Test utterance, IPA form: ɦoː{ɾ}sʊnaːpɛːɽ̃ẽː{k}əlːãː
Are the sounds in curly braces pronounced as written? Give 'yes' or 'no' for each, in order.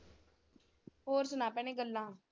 yes, no

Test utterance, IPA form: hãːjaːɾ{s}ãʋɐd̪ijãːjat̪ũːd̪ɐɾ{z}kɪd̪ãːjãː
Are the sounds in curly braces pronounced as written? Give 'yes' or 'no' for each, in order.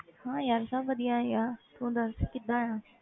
yes, no

